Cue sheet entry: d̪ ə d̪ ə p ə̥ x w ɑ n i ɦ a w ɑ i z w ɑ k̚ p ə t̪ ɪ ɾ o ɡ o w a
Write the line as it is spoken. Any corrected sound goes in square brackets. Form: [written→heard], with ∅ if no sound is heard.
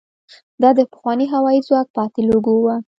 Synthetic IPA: d̪ [ə→ɑ] d̪ ə p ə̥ x w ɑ n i ɦ a w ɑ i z w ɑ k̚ p [ə→ɑ] t̪ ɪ [ɾ→l] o ɡ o w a